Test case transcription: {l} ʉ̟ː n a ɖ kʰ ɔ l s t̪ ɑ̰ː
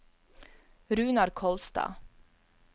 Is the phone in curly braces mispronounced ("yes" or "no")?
yes